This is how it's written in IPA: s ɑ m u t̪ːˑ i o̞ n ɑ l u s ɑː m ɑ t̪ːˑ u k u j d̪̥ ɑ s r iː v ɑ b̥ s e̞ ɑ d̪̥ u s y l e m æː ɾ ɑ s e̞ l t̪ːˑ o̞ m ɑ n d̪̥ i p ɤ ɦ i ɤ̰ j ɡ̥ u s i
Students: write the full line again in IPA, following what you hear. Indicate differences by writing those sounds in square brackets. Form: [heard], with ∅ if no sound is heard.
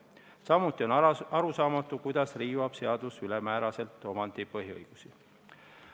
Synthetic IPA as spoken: s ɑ m u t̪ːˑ i o̞ n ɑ [ɾ] u s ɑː m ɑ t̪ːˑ u k u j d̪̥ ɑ s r iː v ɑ b̥ s e̞ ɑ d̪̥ u s y l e m æː ɾ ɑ s e̞ l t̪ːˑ o̞ m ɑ n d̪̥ i p ɤ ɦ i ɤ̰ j ɡ̥ u s i